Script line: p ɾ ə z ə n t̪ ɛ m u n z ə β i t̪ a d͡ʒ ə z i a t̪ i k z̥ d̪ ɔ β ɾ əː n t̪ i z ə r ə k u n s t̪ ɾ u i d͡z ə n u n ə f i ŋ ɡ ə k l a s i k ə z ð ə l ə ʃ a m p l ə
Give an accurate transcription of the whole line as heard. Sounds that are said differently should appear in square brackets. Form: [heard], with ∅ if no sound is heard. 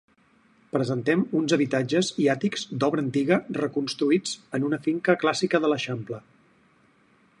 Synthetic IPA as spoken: p ɾ ə z ə n t̪ ɛ m u n z ə β i t̪ a d͡ʒ ə z i a t̪ i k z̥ d̪ ɔ β ɾ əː n t̪ i [ɣ] ə r ə k u n s t̪ ɾ u i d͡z ə n u n ə f i ŋ [k] ə k l a s i k ə [∅] ð ə l ə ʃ a m p l ə